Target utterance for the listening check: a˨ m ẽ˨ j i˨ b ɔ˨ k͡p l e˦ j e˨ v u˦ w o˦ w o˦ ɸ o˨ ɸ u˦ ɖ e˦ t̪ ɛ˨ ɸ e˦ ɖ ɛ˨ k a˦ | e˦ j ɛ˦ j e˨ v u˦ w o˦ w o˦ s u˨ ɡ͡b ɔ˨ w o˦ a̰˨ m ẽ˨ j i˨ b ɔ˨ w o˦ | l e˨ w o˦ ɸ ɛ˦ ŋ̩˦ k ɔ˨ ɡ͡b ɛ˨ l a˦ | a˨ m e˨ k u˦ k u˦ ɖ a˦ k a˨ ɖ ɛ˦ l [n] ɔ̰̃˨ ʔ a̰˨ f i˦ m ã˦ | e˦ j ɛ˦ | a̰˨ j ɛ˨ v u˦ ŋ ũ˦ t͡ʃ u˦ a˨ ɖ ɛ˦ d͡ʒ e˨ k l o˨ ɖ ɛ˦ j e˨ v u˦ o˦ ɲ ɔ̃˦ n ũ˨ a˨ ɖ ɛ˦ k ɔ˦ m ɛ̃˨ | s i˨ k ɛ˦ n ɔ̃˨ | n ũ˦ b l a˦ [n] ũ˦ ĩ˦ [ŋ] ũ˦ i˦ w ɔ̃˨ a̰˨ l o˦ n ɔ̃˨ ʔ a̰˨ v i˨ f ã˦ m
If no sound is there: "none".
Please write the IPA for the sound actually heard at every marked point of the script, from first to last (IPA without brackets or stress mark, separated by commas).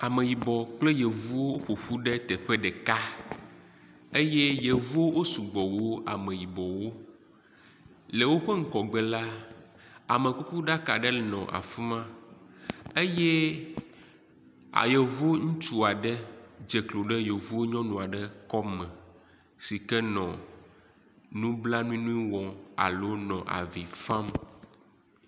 n, n, n